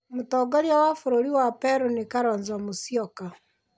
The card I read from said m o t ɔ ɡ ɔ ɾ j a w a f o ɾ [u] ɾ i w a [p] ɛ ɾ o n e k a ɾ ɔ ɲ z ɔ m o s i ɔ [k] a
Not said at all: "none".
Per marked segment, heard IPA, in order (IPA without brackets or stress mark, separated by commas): o, p, k